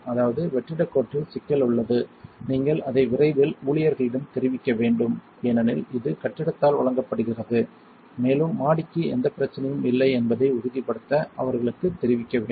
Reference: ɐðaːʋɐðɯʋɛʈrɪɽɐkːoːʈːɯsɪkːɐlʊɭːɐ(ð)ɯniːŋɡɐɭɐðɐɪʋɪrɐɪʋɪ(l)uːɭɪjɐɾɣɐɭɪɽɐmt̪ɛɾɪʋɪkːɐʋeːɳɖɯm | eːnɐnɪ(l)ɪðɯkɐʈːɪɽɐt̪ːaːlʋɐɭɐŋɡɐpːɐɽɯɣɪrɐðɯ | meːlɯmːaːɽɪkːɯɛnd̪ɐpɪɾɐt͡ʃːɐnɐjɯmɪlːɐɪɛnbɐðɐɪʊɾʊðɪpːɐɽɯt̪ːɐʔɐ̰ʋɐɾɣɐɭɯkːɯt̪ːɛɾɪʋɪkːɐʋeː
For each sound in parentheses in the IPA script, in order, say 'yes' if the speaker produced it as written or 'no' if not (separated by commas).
yes, yes, yes